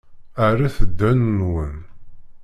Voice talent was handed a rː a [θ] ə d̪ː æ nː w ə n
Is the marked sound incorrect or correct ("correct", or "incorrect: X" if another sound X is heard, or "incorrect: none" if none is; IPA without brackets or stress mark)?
correct